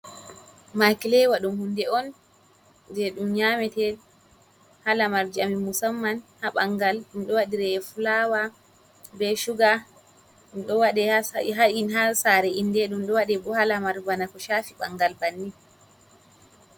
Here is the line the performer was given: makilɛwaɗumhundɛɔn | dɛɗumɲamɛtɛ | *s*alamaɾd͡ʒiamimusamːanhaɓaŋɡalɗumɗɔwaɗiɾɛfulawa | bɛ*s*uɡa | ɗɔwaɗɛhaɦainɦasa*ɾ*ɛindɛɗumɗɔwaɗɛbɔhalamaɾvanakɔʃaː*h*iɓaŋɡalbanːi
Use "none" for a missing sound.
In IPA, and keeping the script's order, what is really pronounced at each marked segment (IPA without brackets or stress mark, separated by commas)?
h, ʃ, ɾ, f